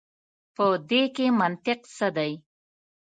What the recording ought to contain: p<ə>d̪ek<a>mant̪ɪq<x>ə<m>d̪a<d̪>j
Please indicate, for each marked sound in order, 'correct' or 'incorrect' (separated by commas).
correct, incorrect, incorrect, incorrect, incorrect